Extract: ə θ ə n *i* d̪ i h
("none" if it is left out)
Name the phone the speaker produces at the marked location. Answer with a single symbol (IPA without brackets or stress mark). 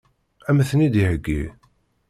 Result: i